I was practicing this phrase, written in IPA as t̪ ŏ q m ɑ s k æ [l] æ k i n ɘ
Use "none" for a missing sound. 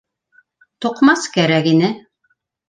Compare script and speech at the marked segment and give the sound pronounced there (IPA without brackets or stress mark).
ɾ